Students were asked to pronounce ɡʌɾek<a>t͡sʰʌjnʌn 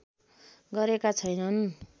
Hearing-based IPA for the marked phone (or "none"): a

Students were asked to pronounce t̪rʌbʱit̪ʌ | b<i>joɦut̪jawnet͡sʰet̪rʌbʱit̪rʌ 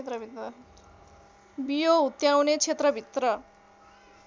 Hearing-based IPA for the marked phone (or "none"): i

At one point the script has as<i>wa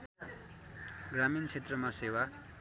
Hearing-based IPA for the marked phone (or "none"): e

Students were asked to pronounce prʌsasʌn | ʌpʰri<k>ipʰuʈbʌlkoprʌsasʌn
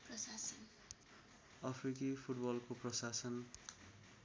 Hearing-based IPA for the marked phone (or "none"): k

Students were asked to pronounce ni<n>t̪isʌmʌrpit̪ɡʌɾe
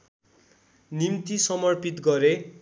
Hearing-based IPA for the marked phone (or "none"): m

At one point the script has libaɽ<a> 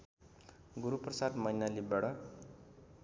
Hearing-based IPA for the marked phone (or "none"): ʌ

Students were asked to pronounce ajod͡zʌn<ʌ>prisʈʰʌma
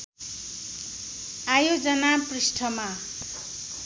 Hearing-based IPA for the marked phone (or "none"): a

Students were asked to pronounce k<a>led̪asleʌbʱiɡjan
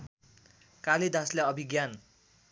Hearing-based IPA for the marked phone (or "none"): a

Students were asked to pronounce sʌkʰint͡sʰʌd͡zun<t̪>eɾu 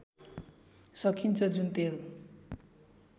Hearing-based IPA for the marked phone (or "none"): t̪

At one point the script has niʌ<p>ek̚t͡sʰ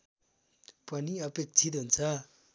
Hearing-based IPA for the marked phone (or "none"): p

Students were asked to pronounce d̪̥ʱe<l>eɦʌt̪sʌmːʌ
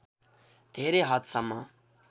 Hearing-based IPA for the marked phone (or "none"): ɾ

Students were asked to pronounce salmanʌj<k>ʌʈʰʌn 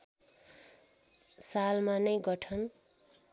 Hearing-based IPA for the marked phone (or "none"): ɡ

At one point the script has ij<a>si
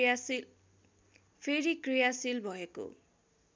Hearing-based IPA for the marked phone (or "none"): a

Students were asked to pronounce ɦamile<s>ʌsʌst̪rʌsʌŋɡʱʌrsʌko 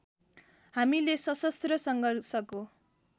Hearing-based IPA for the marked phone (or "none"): s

